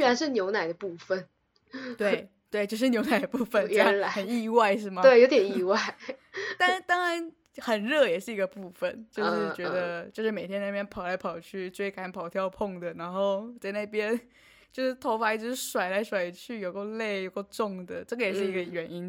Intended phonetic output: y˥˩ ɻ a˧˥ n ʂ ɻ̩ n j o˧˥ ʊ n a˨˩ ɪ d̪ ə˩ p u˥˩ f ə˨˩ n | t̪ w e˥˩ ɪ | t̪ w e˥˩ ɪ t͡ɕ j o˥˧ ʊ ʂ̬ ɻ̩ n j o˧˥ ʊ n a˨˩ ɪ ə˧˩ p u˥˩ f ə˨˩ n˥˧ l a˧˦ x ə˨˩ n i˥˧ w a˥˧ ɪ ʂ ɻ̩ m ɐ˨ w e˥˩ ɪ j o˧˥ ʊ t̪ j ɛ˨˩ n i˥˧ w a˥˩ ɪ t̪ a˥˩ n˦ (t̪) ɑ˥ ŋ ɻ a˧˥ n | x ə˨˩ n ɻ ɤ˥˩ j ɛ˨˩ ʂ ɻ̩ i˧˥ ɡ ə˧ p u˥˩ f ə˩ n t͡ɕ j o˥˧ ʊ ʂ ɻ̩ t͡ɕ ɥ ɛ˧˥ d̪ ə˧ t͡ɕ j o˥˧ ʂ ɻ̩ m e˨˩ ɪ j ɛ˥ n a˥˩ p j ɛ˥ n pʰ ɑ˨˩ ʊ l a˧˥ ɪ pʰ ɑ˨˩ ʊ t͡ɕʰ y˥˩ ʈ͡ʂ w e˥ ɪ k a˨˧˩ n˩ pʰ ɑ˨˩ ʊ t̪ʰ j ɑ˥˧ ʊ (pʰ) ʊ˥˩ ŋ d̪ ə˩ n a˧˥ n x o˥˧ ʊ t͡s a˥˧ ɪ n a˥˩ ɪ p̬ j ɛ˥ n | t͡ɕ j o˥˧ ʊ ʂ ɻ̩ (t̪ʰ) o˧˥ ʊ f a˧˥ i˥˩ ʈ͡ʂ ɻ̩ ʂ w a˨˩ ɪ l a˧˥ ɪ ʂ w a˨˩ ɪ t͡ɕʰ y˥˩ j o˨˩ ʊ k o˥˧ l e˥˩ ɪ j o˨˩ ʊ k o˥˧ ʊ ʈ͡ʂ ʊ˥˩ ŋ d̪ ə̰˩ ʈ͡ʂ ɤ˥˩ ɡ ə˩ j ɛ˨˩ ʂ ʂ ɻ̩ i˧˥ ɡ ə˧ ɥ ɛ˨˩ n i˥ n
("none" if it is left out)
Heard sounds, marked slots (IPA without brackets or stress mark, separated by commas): t̪, pʰ, t̪ʰ